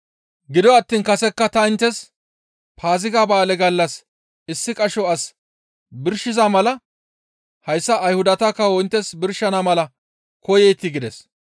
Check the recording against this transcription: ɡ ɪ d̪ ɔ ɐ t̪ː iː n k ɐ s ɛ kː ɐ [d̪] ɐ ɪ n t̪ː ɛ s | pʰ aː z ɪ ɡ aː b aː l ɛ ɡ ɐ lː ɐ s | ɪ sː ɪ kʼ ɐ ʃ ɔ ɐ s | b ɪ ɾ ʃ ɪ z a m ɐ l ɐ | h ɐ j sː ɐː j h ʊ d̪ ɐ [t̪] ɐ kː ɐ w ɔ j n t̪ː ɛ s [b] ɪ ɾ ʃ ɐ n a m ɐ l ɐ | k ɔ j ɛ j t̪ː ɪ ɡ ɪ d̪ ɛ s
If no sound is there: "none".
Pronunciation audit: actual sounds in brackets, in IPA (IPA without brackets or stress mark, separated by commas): t̪, t̪, b